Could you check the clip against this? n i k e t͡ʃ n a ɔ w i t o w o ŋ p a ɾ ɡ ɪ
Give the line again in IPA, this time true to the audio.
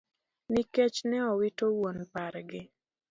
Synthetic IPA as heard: n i k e t͡ʃ n ɛ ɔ w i t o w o n p a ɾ ɡ ɪ